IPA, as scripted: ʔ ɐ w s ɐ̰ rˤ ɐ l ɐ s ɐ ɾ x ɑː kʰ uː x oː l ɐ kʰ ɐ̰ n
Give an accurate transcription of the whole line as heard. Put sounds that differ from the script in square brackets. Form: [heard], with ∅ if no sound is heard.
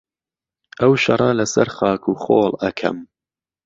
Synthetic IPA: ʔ ɐ w [ʃ] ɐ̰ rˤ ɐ l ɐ s ɐ ɾ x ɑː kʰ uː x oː l ɐ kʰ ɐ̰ [m]